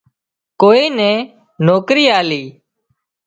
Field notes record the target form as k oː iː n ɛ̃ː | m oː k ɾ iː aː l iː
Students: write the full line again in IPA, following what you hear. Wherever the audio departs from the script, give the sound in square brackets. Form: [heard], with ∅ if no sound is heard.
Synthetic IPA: k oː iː n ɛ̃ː | [n] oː k ɾ iː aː l iː